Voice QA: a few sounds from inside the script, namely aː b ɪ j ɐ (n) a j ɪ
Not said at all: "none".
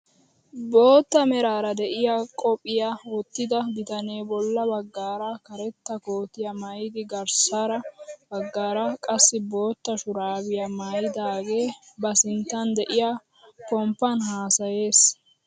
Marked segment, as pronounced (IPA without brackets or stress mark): m